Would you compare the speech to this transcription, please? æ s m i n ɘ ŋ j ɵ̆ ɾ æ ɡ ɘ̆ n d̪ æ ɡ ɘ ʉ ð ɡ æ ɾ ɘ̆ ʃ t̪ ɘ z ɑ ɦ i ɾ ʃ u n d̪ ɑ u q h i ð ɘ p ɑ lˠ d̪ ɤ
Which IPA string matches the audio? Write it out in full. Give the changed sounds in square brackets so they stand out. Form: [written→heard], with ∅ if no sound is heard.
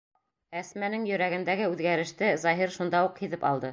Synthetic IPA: æ s m [i→æ] n ɘ ŋ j ɵ̆ ɾ æ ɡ ɘ̆ n d̪ æ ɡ ɘ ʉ ð ɡ æ ɾ ɘ̆ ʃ t̪ ɘ z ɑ ɦ i ɾ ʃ u n d̪ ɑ u q h i ð ɘ p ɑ lˠ d̪ ɤ